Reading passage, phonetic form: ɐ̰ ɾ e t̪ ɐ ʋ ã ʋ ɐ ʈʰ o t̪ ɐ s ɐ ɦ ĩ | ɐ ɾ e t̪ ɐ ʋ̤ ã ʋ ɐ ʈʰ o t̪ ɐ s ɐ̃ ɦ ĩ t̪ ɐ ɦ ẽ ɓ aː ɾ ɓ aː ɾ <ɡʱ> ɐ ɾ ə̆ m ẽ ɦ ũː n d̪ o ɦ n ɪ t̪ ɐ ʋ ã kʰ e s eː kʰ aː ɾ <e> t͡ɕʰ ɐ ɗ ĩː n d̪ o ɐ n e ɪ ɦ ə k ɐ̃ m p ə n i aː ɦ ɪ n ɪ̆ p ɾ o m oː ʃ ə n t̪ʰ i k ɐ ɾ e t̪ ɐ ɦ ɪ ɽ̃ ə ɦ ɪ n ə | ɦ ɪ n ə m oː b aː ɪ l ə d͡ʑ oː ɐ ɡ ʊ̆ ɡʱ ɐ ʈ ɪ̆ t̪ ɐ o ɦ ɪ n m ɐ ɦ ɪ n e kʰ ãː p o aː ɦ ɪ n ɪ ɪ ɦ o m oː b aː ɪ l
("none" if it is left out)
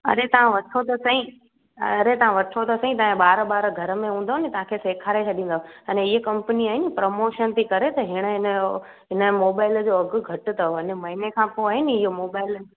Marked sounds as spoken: ɡʱ, e

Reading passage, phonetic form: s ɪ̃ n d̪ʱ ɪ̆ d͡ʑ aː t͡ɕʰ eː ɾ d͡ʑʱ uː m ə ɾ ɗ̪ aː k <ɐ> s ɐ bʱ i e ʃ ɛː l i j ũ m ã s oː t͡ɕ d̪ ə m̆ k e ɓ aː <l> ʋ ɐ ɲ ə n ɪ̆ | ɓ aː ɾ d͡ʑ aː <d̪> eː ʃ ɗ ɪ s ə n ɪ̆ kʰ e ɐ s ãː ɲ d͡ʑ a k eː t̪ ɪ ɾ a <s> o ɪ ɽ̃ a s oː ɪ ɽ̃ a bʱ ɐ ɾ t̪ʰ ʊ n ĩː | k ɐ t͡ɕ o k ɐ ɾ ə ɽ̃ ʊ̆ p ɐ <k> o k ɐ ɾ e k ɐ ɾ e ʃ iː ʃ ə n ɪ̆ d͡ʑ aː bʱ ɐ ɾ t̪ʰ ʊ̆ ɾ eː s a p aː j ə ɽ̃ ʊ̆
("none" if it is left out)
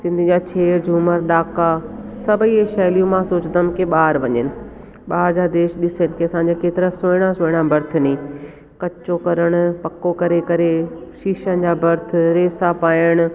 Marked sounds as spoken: a, ɾ, d̪, s, k

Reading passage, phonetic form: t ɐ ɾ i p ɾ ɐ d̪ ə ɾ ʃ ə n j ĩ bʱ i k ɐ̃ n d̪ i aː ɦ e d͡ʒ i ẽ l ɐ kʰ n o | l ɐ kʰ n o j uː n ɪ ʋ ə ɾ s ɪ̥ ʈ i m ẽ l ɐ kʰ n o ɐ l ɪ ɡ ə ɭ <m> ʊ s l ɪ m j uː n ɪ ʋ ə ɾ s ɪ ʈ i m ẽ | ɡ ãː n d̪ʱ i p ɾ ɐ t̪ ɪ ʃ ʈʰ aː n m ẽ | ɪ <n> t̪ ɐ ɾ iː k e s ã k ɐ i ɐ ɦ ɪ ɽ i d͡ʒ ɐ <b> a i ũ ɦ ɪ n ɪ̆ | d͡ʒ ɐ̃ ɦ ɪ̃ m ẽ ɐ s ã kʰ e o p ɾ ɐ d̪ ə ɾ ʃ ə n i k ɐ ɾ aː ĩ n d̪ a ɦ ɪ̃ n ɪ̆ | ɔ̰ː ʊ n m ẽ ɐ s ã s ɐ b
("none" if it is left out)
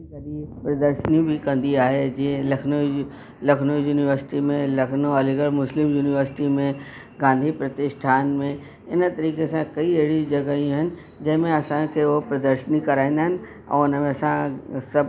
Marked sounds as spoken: m, n, ɡ

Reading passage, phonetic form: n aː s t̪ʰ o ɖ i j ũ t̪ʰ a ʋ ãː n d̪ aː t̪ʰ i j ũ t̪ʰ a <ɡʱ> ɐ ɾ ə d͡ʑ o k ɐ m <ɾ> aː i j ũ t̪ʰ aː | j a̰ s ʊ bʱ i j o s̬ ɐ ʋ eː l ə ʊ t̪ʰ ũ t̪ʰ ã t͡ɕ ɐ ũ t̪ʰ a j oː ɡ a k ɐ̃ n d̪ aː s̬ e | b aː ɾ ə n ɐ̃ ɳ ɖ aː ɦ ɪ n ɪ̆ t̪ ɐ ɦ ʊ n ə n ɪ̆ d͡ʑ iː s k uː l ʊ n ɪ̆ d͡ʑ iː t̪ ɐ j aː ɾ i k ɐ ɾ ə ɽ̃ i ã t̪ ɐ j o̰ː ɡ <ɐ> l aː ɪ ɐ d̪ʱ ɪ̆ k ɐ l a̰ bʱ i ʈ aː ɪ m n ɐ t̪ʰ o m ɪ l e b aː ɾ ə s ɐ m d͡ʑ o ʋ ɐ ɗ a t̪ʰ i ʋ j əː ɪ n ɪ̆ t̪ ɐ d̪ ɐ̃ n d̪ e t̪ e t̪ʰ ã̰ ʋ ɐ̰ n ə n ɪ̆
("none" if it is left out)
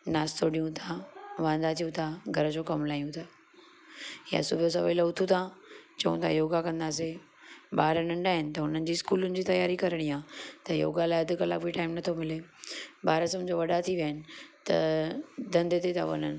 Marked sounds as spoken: ɡʱ, l, a

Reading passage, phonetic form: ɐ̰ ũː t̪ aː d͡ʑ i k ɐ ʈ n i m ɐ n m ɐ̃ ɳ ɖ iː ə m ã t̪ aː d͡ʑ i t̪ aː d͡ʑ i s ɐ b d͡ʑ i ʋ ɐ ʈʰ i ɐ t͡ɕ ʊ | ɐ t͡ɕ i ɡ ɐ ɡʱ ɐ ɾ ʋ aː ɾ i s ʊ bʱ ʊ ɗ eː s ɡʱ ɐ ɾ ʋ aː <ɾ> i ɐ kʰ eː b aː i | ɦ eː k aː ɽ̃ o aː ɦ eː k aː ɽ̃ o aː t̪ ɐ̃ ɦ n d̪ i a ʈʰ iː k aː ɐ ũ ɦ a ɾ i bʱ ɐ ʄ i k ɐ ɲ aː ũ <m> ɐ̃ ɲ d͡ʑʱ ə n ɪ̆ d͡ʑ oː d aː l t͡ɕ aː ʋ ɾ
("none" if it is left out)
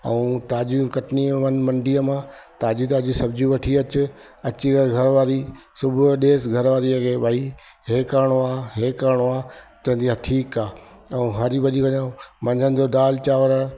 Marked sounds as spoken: ɾ, m

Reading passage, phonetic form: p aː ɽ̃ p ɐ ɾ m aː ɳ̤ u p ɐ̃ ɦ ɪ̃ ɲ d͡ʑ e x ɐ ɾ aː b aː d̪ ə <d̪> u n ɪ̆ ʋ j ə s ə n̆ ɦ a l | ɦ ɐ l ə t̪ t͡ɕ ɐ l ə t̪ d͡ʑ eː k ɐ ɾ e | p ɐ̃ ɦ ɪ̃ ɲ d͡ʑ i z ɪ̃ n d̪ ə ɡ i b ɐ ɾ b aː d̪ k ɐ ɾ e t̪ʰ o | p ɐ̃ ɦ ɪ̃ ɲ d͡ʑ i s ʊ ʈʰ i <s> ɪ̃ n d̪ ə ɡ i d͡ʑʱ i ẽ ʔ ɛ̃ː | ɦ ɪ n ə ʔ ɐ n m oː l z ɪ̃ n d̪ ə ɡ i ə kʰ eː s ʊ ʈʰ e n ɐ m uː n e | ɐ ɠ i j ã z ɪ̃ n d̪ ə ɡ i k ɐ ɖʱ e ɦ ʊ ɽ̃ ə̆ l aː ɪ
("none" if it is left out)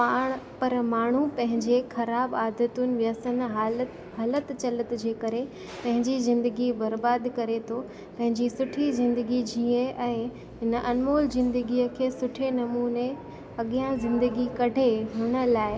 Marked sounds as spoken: t̪, z

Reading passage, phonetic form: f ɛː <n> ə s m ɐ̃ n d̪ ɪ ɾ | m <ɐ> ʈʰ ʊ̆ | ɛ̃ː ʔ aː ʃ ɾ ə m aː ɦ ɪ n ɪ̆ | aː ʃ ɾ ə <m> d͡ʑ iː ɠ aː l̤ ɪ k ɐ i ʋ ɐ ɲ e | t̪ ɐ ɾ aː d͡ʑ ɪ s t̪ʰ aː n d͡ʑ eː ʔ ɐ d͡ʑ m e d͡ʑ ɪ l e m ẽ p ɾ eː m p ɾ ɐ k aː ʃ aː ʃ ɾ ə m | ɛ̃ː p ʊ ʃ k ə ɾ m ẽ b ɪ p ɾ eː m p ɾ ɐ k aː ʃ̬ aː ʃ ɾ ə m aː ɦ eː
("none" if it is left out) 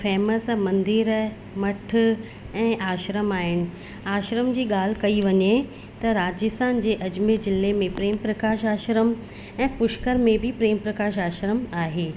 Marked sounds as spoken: m, ɐ, m

